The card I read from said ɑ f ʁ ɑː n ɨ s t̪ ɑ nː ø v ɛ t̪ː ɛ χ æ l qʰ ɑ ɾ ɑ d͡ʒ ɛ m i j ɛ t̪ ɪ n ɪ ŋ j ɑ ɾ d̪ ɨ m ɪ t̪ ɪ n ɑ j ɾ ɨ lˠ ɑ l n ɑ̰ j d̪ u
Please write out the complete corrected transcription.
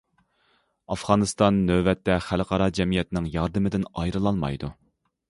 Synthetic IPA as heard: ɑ f ʁ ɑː n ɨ s t̪ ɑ nː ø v ɛ t̪ː ɛ χ æ l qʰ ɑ ɾ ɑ d͡ʒ ɛ m i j ɛ t̪ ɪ n ɪ ŋ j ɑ ɾ d̪ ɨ m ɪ d̪ ɪ n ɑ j ɾ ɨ lˠ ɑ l m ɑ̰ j d̪ u